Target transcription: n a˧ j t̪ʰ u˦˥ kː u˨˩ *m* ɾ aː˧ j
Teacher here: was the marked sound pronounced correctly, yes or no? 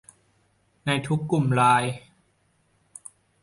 yes